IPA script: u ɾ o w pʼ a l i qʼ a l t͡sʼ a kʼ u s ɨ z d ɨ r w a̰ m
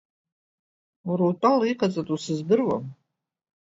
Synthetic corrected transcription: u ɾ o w tʼ a l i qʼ a t͡sʼ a tʼ u s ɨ z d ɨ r w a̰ m

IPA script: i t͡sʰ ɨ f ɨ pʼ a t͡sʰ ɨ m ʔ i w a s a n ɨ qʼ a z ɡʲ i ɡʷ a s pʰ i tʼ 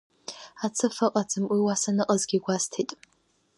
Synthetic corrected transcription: a t͡sʰ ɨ f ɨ qʼ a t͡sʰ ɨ m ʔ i w a s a n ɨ qʼ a z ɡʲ i ɡʷ a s tʰ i tʼ

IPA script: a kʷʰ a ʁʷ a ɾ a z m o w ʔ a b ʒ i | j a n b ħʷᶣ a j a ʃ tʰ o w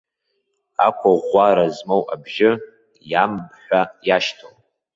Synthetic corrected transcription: a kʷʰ a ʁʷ a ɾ a z m o w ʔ a b ʒ ɪ | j a m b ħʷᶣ a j a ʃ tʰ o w

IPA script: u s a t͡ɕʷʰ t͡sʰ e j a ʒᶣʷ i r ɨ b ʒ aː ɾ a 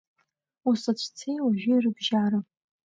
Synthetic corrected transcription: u s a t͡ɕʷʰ t͡sʰ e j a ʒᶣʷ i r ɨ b ʒ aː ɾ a

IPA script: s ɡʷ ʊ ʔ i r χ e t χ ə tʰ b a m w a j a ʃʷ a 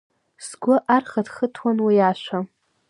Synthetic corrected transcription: s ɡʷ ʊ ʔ a r χ a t χ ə tʰ w a n w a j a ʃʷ a

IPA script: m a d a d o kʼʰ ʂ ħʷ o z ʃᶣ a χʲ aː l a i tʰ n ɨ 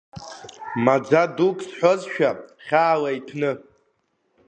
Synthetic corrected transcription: m a d͡z a d u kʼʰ s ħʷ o z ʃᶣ a χʲ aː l a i tʰ n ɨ

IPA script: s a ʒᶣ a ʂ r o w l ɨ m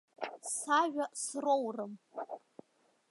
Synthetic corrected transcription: s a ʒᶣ a s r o w r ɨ m

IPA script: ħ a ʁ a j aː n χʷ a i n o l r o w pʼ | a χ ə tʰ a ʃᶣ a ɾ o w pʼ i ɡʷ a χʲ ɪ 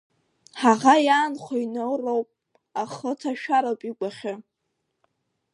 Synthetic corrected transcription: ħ a ʁ a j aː n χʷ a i n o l r o w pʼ | a χ ə tʰ a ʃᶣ a ɾ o w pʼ i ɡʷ a χʲ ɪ

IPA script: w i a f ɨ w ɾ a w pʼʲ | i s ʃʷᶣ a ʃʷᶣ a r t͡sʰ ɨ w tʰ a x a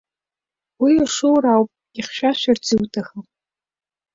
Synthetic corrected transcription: w i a ʂ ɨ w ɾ a w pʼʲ | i χ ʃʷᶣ a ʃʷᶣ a r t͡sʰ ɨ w tʰ a x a

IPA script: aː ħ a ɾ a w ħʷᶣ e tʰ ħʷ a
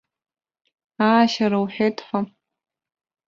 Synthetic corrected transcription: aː ʃ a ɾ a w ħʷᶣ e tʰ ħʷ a

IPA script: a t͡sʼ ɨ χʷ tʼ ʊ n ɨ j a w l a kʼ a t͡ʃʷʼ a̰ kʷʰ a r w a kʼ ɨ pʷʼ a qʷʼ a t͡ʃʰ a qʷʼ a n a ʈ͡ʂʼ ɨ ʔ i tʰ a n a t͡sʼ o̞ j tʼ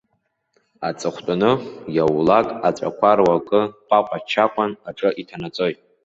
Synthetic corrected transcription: a t͡sʼ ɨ χʷ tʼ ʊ n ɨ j a w l a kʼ a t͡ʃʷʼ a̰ kʷʰ a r w a kʼ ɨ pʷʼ a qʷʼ a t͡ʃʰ a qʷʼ a n a ʈ͡ʂʼ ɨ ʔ i tʰ a n a t͡sʼ o̞ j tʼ

